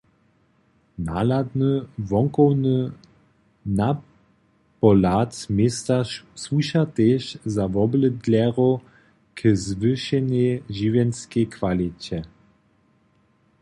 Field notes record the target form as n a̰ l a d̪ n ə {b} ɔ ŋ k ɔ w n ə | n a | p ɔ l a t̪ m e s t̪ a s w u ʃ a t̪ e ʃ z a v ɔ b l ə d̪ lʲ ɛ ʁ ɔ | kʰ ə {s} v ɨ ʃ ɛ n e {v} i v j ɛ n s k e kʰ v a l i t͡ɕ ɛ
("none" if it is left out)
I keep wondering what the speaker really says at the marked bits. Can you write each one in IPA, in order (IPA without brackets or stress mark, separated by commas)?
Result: v, z, ʒ